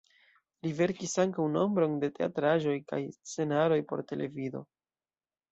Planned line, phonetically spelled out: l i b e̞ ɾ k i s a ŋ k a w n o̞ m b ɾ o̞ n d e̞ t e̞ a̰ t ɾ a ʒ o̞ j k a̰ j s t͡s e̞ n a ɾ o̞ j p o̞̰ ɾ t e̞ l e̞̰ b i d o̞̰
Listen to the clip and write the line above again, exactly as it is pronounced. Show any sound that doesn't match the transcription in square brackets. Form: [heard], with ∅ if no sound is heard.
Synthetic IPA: l i [v] e̞ ɾ k i s a ŋ k a w n o̞ m b ɾ o̞ n d e̞ t e̞ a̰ t ɾ a ʒ o̞ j k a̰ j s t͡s e̞ n a ɾ o̞ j p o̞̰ ɾ t e̞ l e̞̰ [v] i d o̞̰